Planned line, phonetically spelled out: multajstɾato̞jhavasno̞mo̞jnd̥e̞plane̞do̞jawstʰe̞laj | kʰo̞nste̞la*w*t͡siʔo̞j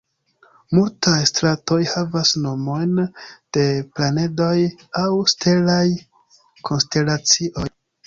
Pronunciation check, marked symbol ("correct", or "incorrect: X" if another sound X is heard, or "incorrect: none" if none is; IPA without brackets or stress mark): incorrect: none